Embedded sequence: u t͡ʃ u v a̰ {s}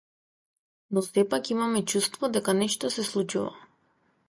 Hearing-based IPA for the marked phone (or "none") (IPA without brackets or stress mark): none